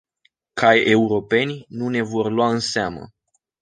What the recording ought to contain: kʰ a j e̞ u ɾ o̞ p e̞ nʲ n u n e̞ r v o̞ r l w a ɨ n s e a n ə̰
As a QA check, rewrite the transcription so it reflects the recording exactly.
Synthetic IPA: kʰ a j e̞ u ɾ o̞ p e̞ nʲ n u n e̞ v o̞ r l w a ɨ n s e a m ə̰